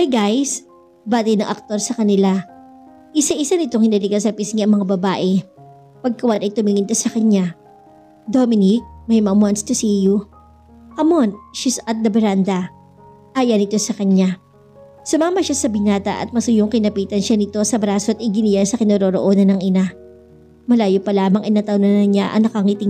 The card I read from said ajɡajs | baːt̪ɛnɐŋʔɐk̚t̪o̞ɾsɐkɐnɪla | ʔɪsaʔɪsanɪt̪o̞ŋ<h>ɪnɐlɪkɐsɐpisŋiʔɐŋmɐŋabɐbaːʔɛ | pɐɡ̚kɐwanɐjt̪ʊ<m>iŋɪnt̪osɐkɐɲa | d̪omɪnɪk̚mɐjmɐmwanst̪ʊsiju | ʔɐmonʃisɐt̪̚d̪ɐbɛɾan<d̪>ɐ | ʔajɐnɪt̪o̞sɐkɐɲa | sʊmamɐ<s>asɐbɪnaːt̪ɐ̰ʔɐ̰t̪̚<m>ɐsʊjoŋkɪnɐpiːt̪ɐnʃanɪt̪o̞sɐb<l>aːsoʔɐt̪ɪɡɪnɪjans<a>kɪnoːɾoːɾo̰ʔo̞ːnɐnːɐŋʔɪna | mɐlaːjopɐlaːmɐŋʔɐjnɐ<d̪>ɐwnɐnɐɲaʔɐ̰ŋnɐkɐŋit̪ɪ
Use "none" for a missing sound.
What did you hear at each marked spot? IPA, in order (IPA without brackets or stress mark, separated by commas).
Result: h, m, d̪, ʃ, m, ɾ, ɐ, t̪